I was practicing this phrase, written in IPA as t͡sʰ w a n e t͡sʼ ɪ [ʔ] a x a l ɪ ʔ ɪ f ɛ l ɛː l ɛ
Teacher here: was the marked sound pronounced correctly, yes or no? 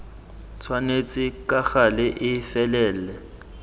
no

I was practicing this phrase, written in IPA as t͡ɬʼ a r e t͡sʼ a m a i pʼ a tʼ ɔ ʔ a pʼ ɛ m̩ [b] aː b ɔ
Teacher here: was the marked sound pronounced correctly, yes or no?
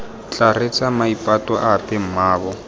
no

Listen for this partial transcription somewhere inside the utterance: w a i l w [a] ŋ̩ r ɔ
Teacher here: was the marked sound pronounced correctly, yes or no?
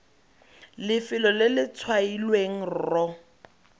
no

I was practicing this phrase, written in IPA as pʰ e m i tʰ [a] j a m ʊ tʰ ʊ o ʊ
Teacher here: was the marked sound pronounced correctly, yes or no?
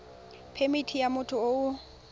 no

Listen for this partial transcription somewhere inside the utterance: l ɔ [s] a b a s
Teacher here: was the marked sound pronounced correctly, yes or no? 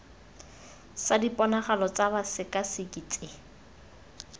no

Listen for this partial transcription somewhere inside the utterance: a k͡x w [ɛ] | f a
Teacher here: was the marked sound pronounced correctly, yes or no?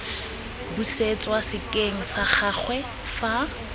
yes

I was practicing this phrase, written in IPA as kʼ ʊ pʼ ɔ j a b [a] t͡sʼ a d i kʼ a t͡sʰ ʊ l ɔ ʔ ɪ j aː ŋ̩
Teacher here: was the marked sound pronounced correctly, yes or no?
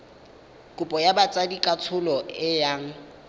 yes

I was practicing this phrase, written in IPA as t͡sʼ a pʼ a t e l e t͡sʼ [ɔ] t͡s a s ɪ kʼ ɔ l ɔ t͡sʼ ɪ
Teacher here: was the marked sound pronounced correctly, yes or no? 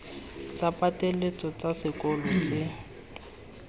yes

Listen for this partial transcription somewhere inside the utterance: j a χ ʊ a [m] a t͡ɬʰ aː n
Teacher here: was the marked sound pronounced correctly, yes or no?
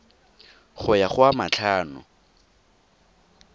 yes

